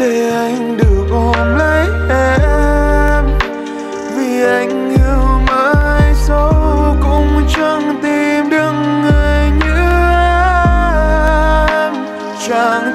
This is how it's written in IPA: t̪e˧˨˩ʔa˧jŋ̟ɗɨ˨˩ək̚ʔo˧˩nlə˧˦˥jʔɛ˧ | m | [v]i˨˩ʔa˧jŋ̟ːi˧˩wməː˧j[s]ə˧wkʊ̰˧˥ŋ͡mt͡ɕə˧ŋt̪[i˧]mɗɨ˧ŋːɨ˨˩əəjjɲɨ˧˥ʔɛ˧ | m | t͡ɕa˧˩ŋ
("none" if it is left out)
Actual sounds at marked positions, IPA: v, s, i˧

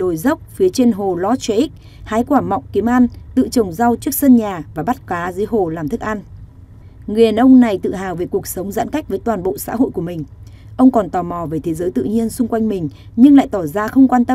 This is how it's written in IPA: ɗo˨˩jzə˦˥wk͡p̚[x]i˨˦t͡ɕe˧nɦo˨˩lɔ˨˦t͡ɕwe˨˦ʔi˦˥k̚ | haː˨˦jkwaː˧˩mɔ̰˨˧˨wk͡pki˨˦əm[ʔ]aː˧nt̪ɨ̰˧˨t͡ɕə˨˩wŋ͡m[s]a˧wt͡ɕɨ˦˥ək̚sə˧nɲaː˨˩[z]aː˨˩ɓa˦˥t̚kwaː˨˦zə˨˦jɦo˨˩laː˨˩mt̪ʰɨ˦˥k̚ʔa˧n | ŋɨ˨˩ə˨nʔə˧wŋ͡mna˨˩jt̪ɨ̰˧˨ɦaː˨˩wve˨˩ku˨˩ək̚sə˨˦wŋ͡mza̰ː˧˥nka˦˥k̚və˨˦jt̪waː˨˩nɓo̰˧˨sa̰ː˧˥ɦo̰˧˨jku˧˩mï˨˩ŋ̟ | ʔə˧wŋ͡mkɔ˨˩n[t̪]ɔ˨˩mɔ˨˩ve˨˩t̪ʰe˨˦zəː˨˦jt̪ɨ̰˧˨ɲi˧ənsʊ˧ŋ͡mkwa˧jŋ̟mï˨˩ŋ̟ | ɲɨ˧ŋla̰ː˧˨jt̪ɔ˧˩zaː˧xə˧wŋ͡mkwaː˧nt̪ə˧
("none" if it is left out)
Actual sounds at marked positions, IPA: f, ʔ, z, v, t̪

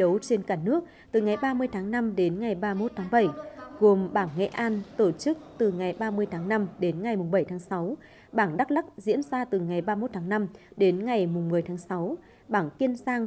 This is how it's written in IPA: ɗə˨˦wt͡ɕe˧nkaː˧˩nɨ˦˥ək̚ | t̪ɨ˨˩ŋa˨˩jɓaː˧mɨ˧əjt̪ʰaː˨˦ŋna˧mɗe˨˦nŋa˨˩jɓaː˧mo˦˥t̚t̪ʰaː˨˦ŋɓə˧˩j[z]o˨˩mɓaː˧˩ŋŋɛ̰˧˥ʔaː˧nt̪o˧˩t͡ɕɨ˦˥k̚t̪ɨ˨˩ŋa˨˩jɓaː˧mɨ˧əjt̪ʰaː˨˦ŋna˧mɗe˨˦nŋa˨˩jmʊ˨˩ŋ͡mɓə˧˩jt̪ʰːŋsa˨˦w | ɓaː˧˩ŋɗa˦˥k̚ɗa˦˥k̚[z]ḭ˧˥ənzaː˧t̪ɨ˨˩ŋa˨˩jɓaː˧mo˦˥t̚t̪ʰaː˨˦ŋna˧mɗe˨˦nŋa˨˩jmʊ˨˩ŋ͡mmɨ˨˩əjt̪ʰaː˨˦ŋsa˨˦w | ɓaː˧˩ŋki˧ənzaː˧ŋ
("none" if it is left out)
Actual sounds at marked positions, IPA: ɣ, z

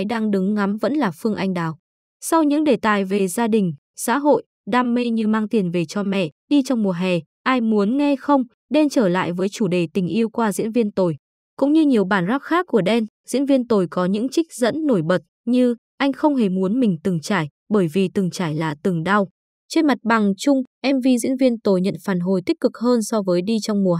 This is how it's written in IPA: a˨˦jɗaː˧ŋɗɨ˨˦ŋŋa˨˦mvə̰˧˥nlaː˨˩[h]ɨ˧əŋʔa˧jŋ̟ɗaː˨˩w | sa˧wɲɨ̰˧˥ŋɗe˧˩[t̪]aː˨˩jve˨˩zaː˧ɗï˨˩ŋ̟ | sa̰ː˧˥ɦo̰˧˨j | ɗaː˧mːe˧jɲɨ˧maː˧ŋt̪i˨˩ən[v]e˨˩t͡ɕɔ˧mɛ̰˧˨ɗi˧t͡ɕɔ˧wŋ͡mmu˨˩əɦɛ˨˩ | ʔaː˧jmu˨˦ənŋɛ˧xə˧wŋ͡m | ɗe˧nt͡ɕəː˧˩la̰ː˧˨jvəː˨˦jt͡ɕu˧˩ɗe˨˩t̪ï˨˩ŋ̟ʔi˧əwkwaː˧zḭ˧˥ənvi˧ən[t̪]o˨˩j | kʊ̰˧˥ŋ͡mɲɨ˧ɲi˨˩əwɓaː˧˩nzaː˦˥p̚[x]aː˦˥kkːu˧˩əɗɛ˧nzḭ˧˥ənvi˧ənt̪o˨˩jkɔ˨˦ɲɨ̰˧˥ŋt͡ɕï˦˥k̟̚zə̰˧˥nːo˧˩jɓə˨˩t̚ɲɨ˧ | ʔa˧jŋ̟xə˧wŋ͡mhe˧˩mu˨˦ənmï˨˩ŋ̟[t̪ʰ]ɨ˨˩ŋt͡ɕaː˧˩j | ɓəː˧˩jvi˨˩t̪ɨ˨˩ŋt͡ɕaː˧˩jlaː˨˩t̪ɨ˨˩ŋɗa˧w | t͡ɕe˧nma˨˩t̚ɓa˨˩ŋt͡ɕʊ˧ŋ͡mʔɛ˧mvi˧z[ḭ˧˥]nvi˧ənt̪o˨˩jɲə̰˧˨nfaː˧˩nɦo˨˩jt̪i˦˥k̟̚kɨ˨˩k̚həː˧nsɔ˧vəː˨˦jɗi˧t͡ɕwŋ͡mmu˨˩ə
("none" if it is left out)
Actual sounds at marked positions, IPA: f, t̪, v, t̪, x, t̪, ḭ˧˥

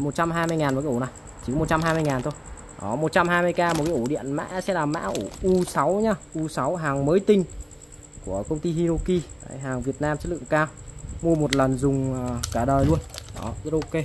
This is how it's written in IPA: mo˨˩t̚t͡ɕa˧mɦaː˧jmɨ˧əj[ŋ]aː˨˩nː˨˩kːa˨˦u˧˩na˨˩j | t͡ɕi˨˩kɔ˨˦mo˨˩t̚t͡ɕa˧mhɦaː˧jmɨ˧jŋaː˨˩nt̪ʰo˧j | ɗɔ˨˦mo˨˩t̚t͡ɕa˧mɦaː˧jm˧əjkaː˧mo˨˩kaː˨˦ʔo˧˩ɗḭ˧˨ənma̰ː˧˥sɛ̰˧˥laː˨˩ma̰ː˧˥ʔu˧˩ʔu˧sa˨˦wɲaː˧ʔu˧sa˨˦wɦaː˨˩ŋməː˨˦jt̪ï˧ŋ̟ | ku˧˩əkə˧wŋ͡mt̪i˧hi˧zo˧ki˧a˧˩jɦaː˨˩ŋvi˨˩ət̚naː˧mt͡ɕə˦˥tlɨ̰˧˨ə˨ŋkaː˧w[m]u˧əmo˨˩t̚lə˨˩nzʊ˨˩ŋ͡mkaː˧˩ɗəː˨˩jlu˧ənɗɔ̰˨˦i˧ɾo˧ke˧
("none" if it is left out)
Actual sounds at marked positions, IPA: ŋ, m

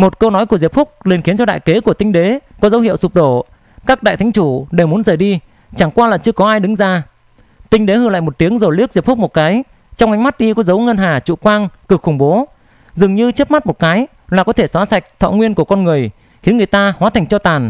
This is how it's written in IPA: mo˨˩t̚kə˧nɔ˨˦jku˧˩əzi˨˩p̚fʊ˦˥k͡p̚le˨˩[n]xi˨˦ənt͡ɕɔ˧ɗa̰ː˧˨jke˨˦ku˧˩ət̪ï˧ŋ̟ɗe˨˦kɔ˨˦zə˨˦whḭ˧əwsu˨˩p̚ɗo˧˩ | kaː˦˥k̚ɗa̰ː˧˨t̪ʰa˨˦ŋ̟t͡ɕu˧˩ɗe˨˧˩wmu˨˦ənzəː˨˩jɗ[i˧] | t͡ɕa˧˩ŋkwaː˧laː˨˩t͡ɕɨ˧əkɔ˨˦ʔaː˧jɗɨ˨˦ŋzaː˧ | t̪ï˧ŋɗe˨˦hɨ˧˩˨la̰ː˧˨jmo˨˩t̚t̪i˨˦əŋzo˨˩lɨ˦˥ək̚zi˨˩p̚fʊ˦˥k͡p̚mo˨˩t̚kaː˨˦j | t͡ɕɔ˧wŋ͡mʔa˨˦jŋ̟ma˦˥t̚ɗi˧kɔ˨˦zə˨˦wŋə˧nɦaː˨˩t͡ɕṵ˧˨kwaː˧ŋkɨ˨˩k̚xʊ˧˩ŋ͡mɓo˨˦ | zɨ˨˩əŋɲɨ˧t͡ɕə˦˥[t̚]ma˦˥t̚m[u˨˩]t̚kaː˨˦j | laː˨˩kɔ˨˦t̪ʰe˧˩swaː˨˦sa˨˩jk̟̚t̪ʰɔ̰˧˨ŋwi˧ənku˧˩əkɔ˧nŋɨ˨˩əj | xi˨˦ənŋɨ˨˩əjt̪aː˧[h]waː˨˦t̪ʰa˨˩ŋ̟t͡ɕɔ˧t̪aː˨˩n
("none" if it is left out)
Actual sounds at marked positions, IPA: n, i˧, p̚, o˨˩, h

